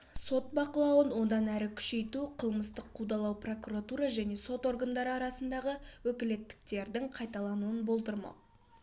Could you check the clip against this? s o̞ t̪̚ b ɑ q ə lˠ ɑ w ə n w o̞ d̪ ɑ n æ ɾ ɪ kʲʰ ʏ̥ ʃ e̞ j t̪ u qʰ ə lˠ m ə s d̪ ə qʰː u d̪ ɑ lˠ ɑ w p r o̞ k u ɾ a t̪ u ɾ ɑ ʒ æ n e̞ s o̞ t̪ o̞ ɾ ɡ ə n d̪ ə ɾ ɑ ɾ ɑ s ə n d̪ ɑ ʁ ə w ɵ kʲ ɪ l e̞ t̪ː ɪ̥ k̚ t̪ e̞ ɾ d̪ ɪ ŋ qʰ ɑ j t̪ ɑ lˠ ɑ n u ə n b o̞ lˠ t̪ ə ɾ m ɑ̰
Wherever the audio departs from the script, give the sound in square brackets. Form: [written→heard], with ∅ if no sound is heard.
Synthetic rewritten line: s o̞ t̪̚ b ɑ q ə lˠ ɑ w ə n w o̞ d̪ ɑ n æ ɾ ɪ kʲʰ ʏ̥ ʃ e̞ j t̪ u qʰ ə lˠ m ə s [d̪→t̪] ə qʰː u d̪ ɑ lˠ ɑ w p r o̞ k u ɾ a t̪ u ɾ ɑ ʒ æ n e̞ s o̞ t̪ o̞ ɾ ɡ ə n d̪ [ə→ɑ] ɾ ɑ ɾ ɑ s ə n d̪ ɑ ʁ ə w ɵ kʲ ɪ l e̞ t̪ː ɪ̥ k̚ t̪ e̞ ɾ d̪ ɪ ŋ qʰ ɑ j t̪ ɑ lˠ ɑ n u ə n b o̞ lˠ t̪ ə ɾ m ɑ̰